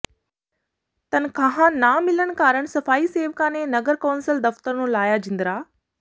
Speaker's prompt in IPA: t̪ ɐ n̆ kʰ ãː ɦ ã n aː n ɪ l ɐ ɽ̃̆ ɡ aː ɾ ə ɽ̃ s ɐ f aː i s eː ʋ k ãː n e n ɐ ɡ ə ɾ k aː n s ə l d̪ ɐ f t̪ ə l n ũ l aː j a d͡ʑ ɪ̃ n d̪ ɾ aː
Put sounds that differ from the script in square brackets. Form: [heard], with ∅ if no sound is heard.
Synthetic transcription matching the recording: t̪ ɐ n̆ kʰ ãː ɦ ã n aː [m] ɪ l [ə] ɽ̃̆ [k] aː ɾ ə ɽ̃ s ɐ f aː i s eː ʋ k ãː n e n ɐ ɡ ə ɾ k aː n s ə l d̪ ɐ f t̪ ə [ɾ] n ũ l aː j a d͡ʑ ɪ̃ n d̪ ɾ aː